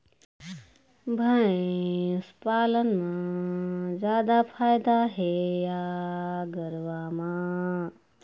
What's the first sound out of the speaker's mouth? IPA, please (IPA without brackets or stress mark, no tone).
bʱ